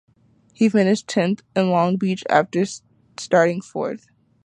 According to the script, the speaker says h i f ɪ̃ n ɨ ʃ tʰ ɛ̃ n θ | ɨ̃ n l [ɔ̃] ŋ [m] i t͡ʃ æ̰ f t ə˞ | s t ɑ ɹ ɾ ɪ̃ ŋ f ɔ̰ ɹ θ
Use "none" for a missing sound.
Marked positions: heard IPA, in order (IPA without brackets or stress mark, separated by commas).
ɔ̃, b